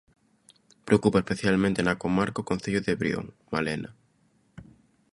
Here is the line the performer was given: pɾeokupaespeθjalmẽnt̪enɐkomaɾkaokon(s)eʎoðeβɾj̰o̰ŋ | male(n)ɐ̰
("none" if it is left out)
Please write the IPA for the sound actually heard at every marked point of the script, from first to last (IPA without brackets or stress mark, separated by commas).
θ, n